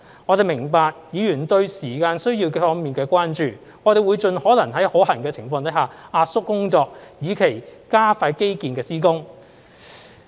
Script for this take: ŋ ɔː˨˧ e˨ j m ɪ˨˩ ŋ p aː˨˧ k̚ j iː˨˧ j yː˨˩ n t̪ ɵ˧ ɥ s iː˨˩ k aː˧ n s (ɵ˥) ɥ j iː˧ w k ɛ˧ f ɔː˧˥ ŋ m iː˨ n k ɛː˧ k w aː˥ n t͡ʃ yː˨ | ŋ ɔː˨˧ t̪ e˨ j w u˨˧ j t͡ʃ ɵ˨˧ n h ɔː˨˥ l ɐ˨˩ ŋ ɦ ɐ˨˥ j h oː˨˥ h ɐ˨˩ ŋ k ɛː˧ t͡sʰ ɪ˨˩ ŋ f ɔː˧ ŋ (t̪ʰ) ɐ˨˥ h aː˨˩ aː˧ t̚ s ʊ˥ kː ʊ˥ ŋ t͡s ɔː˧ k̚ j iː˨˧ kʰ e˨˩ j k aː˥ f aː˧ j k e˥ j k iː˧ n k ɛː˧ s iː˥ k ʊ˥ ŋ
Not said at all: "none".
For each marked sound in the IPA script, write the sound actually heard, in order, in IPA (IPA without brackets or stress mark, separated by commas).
ɵ˥, t̪